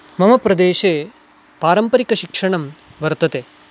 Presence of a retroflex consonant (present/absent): present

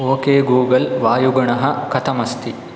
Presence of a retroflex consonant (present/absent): present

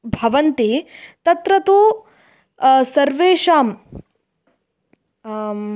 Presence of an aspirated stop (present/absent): absent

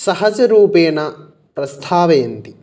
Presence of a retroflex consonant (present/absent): absent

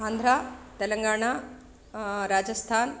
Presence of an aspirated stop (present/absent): present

